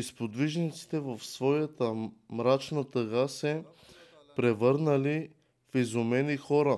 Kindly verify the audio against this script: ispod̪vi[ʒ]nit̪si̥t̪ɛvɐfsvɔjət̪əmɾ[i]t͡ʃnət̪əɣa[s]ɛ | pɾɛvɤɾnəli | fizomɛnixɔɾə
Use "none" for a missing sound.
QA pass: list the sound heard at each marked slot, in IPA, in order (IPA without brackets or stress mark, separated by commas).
ʒ, a, s